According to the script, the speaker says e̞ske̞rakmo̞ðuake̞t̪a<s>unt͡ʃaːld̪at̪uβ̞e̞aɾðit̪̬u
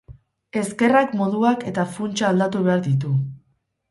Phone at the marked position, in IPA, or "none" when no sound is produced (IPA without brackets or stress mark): f